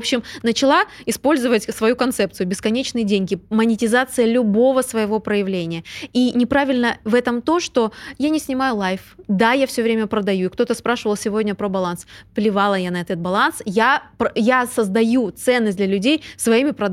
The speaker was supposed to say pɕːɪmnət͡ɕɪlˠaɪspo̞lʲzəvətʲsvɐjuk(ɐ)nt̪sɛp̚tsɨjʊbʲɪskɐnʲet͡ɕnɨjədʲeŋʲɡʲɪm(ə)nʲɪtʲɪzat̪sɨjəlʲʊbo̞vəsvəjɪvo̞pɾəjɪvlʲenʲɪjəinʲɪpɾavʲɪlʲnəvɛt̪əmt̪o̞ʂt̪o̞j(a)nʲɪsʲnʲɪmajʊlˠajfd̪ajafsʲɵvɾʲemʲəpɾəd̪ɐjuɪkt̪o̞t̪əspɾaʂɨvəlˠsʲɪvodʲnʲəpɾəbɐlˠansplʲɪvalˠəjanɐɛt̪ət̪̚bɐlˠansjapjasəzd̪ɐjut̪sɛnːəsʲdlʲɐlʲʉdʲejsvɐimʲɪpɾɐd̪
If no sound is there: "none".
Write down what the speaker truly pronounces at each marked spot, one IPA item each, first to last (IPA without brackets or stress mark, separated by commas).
ɐ, ə, a